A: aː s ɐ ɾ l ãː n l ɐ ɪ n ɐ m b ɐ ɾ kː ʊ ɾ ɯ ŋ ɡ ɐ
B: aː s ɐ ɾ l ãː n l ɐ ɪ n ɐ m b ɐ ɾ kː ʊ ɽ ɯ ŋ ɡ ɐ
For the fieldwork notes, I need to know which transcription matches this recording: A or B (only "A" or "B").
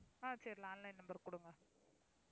B